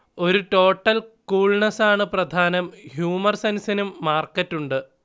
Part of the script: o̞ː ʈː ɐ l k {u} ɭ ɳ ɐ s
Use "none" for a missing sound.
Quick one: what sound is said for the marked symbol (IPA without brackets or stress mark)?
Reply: uː